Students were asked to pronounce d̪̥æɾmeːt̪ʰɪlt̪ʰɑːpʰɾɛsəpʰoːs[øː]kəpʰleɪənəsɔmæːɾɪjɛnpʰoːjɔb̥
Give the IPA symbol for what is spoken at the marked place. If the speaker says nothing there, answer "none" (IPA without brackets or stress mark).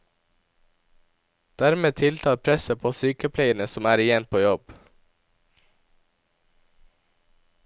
yː